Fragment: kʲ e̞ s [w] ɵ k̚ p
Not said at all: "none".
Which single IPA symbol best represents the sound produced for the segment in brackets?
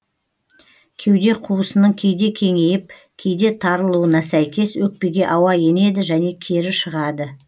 w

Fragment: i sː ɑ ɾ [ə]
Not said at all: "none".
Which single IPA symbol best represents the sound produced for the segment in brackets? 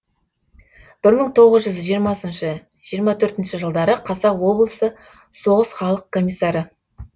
ə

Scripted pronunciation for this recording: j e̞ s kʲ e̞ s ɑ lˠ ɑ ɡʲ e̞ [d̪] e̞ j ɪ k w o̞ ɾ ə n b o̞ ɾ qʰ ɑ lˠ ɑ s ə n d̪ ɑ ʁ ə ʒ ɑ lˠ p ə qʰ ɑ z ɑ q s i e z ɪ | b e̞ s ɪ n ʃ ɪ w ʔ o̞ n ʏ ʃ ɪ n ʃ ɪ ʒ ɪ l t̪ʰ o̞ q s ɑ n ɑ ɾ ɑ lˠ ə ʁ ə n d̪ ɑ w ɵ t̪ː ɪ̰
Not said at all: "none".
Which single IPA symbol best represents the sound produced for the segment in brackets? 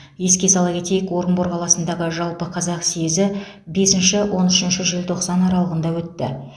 t̪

